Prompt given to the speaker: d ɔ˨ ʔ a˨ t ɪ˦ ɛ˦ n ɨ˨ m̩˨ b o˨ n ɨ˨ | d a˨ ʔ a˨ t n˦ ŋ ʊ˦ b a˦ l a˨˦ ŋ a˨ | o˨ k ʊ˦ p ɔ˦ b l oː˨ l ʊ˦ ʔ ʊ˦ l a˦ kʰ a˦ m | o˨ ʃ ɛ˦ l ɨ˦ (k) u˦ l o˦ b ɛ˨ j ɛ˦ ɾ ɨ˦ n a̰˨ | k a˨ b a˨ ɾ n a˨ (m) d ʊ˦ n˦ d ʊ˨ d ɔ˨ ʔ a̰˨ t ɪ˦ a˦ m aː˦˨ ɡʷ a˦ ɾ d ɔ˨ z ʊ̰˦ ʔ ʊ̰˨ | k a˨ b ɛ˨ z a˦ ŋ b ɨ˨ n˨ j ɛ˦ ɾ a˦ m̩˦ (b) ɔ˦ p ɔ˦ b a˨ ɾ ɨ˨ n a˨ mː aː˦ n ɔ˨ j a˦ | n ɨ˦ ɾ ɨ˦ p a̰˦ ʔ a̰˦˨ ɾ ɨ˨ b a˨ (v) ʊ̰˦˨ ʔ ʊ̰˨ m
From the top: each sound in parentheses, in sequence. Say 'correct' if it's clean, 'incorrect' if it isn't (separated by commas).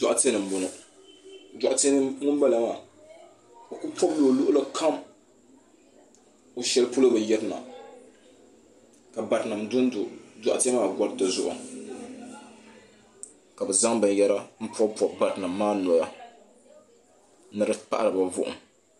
incorrect, correct, incorrect, correct